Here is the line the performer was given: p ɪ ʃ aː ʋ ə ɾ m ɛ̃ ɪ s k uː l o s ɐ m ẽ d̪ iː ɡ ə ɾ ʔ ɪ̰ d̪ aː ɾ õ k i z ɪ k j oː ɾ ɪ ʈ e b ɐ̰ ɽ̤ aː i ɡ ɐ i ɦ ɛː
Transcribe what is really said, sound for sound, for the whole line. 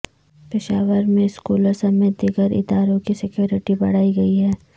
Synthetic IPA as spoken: p ɪ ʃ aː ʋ ə ɾ m ẽ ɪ s k uː l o s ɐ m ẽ d̪ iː ɡ ə ɾ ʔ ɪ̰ d̪ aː ɾ õ k i s ɪ k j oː ɾ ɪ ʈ i b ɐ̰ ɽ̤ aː i ɡ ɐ i ɦ ɛː